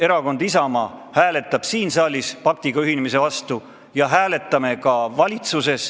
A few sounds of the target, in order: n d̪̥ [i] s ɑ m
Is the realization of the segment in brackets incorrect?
no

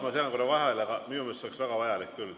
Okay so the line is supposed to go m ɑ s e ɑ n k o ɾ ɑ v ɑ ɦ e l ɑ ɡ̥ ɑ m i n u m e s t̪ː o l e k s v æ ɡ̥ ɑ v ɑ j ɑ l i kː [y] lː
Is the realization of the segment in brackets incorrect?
no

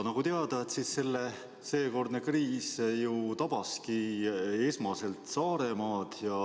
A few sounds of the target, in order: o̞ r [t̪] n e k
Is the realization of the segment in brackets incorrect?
yes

